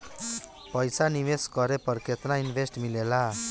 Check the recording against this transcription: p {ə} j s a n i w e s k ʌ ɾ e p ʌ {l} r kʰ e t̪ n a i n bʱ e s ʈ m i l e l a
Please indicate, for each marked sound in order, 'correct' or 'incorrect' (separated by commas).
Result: incorrect, incorrect